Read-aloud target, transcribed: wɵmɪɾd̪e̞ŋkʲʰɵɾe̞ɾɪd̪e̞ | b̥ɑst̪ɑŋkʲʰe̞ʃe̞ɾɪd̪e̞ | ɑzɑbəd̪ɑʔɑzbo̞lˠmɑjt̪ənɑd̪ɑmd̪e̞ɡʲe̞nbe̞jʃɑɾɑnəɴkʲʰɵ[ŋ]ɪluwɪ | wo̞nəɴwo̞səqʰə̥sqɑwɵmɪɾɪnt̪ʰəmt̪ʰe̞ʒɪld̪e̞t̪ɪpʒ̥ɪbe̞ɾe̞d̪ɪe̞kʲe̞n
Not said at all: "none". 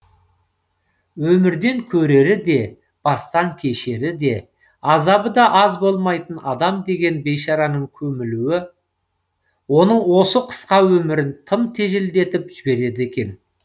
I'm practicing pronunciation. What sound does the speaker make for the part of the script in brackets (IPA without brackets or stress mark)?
m